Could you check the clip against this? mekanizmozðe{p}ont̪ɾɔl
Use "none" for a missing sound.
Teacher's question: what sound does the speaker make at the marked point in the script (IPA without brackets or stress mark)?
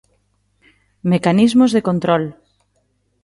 k